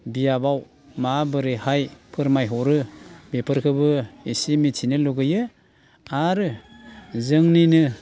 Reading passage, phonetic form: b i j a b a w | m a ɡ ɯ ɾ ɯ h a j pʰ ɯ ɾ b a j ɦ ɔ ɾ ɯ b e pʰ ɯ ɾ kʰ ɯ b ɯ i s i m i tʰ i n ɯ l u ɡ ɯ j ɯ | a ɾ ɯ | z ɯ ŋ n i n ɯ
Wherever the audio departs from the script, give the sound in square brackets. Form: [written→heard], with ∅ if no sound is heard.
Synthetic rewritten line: b i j a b a w | m a [ɡ→b] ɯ ɾ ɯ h a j pʰ ɯ ɾ [b→m] a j ɦ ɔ ɾ ɯ b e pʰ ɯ ɾ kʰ ɯ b ɯ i s i m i tʰ i n ɯ l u ɡ ɯ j ɯ | a ɾ ɯ | z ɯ ŋ n i n ɯ